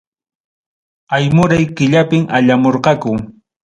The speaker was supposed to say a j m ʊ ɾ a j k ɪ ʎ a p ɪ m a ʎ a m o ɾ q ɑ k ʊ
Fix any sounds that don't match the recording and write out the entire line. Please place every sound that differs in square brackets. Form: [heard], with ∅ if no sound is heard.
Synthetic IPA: a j m ʊ ɾ a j k ɪ ʎ a p ɪ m a ʎ a m o ɾ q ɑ k ʊ